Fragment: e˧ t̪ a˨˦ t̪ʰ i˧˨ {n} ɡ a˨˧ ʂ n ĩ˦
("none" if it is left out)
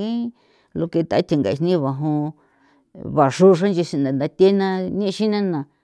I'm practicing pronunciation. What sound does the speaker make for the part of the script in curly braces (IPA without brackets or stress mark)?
ŋ